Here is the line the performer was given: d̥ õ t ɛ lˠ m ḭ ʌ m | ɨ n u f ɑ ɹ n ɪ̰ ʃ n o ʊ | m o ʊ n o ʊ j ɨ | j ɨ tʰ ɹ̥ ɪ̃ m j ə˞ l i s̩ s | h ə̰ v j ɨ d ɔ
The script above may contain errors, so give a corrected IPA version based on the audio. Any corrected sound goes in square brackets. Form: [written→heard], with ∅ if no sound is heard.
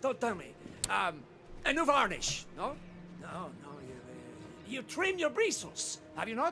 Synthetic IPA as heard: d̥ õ t ɛ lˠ m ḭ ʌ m | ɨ n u [f→v] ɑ ɹ n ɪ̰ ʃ n o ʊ | [m→n] o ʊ n o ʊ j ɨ | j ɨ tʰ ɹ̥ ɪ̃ m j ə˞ [l→ɹ] i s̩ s | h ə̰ v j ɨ [d→n] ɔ

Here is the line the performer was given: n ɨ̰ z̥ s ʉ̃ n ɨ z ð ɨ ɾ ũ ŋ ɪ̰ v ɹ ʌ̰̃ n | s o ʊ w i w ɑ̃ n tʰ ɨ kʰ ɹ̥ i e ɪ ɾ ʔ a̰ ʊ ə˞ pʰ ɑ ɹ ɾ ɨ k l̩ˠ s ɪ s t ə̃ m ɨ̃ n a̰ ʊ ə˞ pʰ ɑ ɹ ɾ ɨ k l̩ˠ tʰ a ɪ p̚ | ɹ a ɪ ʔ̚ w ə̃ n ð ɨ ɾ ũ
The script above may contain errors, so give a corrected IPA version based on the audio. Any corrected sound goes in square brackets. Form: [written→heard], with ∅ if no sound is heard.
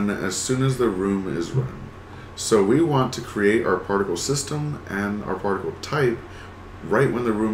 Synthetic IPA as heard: n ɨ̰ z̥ s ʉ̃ n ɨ z ð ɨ [ɾ→ɹ] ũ [ŋ→m] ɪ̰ [v→z] ɹ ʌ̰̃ n | s o ʊ w i w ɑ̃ n tʰ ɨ kʰ ɹ̥ i e ɪ ɾ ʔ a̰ ʊ ə˞ pʰ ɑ ɹ ɾ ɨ k l̩ˠ s ɪ s t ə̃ m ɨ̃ n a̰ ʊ ə˞ pʰ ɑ ɹ ɾ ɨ k l̩ˠ tʰ a ɪ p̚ | ɹ a ɪ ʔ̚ w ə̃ n ð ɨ [ɾ→ɹ] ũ

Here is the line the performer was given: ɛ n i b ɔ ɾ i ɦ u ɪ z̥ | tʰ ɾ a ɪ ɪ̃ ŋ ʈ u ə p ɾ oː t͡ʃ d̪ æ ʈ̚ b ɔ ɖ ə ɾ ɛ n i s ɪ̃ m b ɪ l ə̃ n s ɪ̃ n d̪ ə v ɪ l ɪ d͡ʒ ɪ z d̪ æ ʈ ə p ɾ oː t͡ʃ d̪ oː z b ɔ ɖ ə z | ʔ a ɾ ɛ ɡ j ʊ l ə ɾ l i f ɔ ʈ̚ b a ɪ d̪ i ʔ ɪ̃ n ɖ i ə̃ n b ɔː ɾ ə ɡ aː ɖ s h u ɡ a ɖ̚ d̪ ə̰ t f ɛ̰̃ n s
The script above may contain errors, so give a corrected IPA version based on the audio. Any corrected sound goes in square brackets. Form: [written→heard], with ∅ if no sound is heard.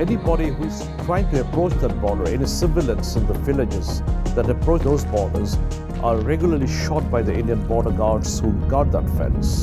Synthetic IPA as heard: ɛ n i b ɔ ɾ i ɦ u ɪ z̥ | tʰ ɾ a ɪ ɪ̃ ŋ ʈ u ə p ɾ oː t͡ʃ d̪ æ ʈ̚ b ɔ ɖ ə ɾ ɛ n i s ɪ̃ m b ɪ l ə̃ n s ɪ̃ n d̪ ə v ɪ l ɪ d͡ʒ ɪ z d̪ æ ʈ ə p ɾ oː t͡ʃ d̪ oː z b ɔ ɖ ə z | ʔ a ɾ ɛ ɡ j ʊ l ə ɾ l i [f→ʃ] ɔ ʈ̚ b a ɪ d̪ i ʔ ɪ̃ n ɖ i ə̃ n b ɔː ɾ ə ɡ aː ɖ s h u ɡ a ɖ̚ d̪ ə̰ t f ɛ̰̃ n s

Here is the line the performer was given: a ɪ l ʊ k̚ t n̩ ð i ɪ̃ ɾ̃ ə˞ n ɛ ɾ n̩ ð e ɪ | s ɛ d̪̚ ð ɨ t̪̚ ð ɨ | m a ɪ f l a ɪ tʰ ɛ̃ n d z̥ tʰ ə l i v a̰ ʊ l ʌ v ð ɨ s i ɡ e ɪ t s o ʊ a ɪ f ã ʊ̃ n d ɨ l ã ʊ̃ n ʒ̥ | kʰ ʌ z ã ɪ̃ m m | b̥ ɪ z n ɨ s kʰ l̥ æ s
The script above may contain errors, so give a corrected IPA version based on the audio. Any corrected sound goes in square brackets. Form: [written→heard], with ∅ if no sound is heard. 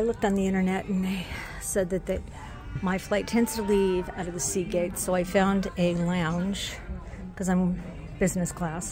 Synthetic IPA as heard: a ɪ l ʊ k̚ t n̩ ð i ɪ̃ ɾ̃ ə˞ n ɛ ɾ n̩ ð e ɪ | s ɛ d̪̚ ð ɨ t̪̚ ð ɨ | m a ɪ f l a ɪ tʰ ɛ̃ n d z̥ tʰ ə l i v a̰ ʊ [l→ɾ] ʌ v ð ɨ s i ɡ e ɪ t s o ʊ a ɪ f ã ʊ̃ n d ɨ l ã ʊ̃ n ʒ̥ | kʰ ʌ z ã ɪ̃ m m | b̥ ɪ z n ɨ s kʰ l̥ æ s

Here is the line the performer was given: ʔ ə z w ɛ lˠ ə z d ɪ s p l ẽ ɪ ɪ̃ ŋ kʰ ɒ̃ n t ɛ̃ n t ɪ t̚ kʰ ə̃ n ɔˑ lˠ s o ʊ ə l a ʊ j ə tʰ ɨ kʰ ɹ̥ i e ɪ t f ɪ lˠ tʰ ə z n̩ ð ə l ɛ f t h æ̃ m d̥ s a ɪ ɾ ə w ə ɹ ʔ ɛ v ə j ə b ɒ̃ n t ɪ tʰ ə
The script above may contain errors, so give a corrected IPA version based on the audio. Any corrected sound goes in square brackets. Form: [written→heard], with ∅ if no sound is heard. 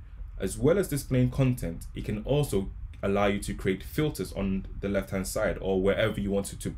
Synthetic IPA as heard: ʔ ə z w ɛ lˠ ə z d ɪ s p l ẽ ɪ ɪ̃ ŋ kʰ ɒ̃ n [t→tʰ] ɛ̃ n t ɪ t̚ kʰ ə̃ n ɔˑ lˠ s o ʊ ə l a ʊ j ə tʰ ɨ kʰ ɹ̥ i e ɪ t f ɪ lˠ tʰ ə z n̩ ð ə l ɛ f t h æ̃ [m→n] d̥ s a ɪ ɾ ə w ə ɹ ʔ ɛ v ə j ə [b→w] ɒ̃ n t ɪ tʰ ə

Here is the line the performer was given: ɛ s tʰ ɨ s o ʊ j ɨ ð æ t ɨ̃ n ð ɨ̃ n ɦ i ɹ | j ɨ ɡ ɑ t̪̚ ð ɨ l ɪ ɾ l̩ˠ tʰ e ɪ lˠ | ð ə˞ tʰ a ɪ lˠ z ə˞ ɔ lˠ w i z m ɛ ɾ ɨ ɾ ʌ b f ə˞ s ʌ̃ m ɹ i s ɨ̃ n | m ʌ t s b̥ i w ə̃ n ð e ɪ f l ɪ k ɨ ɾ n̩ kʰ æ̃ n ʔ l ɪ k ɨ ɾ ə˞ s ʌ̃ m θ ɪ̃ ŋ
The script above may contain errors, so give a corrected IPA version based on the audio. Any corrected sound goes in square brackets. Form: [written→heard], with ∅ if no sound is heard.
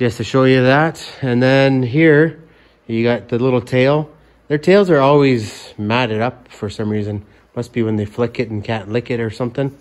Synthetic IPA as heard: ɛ s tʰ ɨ [s→ʃ] o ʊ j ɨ ð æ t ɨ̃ n ð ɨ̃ n ɦ i ɹ | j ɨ ɡ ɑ t̪̚ ð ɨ l ɪ ɾ l̩ˠ tʰ e ɪ lˠ | ð ə˞ tʰ [a→e] ɪ lˠ z ə˞ ɔ lˠ w i z m [ɛ→æ] ɾ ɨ ɾ ʌ [b→p] f ə˞ s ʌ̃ m ɹ i [s→z] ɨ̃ n | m ʌ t s b̥ i w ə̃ n ð e ɪ f l ɪ k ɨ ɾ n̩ kʰ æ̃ n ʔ l ɪ k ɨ ɾ ə˞ s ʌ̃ m θ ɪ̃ ŋ

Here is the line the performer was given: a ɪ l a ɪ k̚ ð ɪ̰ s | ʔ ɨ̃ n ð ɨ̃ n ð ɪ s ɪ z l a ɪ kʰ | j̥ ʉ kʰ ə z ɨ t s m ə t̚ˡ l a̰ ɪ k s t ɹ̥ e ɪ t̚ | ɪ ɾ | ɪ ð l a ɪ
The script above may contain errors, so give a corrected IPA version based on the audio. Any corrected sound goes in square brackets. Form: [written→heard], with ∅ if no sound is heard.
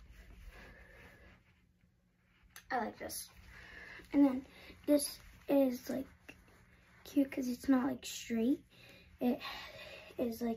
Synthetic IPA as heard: a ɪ l a ɪ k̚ ð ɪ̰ s | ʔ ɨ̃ n ð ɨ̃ n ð ɪ s ɪ z l a ɪ kʰ | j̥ ʉ kʰ [ə→ʌ] z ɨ t s [m→n] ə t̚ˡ l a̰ ɪ k s t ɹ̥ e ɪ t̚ | ɪ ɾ | ɪ [ð→z] l a ɪ

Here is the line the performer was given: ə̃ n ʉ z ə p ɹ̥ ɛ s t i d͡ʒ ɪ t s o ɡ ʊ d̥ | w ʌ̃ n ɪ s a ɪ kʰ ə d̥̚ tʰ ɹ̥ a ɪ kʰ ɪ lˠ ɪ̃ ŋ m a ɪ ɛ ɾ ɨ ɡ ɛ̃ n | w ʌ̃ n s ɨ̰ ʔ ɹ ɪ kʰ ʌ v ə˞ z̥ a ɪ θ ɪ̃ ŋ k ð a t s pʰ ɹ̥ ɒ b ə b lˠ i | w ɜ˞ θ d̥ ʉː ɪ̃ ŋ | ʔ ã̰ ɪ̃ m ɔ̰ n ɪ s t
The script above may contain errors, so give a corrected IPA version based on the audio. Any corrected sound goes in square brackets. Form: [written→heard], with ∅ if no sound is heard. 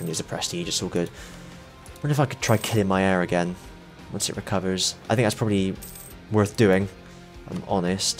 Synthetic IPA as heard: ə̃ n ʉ z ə [p→pʰ] ɹ̥ ɛ s t i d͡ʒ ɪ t s o ɡ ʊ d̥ | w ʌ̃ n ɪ [s→f] a ɪ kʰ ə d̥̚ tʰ ɹ̥ a ɪ kʰ ɪ lˠ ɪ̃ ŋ m a ɪ ɛ [ɾ→ɹ] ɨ ɡ ɛ̃ n | w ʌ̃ n s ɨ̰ ʔ ɹ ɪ kʰ ʌ v ə˞ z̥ a ɪ θ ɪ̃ ŋ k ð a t s pʰ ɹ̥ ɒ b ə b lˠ i | w ɜ˞ θ d̥ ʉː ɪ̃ ŋ | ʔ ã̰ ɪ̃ m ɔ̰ n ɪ s t

